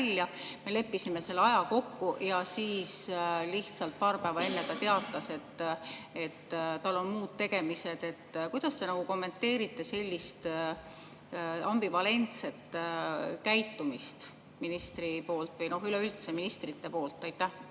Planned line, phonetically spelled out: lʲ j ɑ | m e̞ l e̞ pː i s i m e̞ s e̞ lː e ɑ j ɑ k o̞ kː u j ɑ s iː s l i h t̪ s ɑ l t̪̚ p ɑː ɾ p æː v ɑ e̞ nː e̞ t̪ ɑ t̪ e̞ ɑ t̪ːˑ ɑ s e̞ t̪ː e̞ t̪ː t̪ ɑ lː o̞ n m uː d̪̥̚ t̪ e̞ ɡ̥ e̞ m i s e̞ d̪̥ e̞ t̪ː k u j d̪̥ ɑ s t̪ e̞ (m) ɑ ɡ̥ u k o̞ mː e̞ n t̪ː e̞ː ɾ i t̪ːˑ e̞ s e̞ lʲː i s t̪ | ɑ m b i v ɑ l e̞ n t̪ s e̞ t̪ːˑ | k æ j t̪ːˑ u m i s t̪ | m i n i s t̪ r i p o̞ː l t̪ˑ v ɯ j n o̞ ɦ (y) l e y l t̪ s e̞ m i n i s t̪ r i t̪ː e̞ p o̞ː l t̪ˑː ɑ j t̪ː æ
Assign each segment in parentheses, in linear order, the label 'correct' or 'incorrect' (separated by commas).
incorrect, correct